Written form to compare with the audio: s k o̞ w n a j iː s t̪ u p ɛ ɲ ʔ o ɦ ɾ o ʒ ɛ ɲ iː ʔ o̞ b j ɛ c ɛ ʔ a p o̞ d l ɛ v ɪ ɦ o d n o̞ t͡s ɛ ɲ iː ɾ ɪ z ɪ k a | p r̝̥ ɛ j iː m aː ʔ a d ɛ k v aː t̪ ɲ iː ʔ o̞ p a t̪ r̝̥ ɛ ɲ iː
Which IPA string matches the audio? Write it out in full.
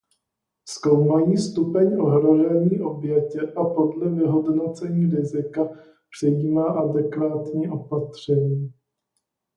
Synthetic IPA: s k o̞ w m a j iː s t̪ u p ɛ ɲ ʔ o ɦ ɾ o ʒ ɛ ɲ iː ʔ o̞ b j ɛ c ɛ ʔ a p o̞ d l ɛ v ɪ ɦ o d n o̞ t͡s ɛ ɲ iː ɾ ɪ z ɪ k a | p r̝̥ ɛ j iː m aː ʔ a d ɛ k v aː t̪ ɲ iː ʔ o̞ p a t̪ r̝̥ ɛ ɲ iː